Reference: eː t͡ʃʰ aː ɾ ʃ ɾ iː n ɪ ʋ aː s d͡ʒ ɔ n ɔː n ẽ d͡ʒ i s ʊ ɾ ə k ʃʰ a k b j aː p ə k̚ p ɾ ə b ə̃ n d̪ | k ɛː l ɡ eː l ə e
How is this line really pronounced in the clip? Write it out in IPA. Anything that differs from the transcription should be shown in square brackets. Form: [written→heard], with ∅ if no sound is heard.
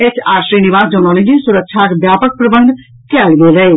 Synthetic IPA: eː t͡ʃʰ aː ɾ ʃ ɾ iː n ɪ ʋ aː s d͡ʒ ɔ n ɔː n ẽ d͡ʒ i s ʊ ɾ ə k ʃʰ a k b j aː p ə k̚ p ɾ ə b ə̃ n d̪ | k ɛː l ɡ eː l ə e